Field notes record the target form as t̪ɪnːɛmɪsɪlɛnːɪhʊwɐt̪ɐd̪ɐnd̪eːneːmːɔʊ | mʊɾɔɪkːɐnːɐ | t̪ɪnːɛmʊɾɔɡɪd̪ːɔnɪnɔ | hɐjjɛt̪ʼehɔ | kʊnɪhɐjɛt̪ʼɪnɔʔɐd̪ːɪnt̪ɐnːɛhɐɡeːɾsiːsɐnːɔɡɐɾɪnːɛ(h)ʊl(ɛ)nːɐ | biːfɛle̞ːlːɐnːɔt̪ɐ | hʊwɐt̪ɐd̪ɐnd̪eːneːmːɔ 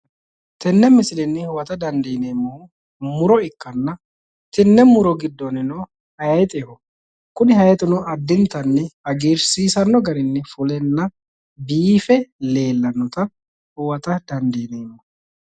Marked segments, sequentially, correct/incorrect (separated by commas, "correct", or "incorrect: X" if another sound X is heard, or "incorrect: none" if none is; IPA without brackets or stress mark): incorrect: f, correct